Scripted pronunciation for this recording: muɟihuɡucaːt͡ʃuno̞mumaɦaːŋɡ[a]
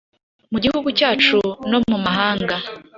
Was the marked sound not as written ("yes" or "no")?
no